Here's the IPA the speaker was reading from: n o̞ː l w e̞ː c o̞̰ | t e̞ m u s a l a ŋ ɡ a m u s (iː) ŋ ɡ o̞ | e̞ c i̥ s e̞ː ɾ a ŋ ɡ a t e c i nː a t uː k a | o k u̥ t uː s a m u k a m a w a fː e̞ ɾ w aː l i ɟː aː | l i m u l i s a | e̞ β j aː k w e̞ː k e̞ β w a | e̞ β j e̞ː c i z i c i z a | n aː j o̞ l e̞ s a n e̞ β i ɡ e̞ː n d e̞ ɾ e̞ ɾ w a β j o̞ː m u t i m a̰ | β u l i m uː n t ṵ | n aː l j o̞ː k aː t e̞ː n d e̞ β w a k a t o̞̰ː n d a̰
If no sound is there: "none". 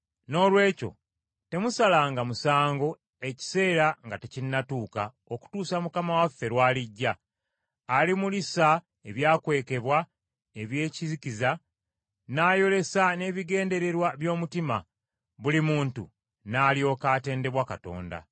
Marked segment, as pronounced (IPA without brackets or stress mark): aː